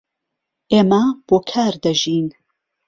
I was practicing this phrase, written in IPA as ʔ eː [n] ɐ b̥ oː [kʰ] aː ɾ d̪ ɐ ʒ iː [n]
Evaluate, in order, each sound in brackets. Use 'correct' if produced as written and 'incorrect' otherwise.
incorrect, correct, correct

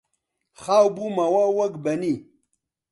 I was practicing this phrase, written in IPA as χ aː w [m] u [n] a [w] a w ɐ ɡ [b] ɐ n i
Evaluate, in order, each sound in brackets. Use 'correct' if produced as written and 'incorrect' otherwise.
incorrect, incorrect, correct, correct

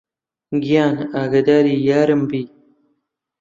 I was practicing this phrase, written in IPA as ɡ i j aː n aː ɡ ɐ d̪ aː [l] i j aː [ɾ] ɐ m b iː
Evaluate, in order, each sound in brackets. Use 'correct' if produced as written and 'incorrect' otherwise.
incorrect, correct

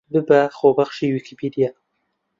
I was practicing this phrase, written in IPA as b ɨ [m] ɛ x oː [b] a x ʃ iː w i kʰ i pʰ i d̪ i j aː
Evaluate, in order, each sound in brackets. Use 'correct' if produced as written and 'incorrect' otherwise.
incorrect, correct

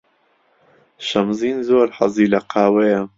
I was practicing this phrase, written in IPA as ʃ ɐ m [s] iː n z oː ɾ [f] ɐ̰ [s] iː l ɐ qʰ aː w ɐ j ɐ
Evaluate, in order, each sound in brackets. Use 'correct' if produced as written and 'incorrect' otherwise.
incorrect, incorrect, incorrect

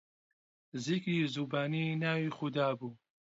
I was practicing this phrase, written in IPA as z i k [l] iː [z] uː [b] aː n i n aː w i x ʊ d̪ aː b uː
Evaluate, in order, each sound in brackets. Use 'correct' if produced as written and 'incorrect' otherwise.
incorrect, correct, correct

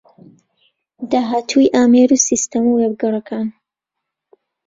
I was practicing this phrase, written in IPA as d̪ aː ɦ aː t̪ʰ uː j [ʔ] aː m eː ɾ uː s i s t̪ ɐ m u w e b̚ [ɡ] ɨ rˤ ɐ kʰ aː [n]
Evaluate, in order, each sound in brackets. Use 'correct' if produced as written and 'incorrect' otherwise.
correct, correct, correct

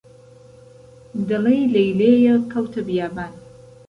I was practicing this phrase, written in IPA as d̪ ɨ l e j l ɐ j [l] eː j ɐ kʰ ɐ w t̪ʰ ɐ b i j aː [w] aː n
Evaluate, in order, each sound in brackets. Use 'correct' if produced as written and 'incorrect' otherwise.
correct, incorrect

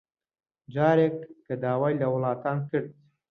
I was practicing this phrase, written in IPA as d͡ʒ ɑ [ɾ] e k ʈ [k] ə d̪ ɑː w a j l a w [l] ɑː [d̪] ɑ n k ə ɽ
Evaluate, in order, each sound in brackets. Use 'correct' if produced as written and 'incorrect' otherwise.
correct, correct, correct, incorrect

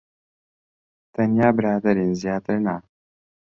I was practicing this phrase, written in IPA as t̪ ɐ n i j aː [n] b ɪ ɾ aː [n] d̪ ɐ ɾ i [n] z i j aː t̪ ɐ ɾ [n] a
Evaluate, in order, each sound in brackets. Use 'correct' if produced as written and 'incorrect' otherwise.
incorrect, incorrect, correct, correct

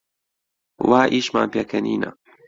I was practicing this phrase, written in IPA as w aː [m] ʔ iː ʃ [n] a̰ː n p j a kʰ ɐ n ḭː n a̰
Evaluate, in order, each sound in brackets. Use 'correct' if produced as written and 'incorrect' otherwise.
incorrect, incorrect

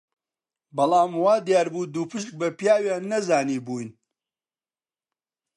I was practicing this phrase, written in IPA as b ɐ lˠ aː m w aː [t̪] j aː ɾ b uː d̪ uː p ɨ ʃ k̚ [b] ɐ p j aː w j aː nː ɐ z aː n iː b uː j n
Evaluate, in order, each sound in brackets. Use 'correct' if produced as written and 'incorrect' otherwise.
incorrect, correct

